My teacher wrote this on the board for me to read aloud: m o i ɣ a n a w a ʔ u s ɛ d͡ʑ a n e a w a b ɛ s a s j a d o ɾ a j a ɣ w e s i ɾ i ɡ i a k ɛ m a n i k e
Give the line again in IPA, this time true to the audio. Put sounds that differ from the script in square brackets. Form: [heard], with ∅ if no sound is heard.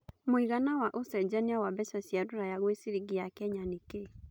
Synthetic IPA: m o i ɣ a n a w a ʔ [o] s ɛ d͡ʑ a n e a w a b ɛ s a s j a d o ɾ a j a ɣ w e s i ɾ i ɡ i a k ɛ [ɲ] a n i k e

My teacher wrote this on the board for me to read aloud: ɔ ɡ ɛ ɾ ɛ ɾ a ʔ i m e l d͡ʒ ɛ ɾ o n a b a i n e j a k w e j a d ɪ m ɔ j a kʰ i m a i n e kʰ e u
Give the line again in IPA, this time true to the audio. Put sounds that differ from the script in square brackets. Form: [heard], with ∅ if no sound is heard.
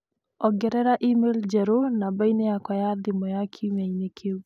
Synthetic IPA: ɔ ɡ ɛ ɾ ɛ ɾ a ʔ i m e l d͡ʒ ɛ ɾ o n a b a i n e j a k w [a] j a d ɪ m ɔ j a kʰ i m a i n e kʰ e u

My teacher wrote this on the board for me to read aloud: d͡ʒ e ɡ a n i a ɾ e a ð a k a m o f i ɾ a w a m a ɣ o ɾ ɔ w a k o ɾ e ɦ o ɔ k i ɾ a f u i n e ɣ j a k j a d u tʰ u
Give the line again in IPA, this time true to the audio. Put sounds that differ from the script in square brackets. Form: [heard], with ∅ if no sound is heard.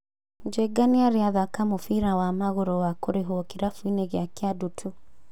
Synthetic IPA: d͡ʒ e ɡ a n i a ɾ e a ð a k a m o f i ɾ a w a m a ɣ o ɾ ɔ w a k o ɾ e ɦ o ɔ k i ɾ a f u i n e ɣ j a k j a d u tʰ u

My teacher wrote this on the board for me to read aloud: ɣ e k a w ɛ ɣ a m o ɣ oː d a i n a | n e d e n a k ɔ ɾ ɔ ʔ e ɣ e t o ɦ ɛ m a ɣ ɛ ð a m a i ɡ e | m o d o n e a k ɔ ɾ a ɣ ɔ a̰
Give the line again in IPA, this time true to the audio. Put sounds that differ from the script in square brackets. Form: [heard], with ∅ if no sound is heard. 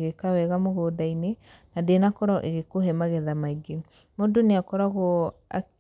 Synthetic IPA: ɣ e k a w ɛ ɣ a m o ɣ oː d a i n [e] | n [a] d e n a k ɔ ɾ ɔ ʔ e ɣ e [k] o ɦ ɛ m a ɣ ɛ ð a m a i ɡ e | m o d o n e a k ɔ ɾ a ɣ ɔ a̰

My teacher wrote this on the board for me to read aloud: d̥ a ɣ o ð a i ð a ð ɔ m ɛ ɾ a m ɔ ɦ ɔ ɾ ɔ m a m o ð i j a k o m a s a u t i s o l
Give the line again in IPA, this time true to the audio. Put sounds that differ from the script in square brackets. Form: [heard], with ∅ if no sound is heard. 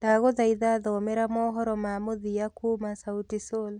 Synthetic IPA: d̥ a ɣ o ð a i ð a ð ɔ m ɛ ɾ a m ɔ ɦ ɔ ɾ ɔ m a m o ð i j a k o m a s a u t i s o l

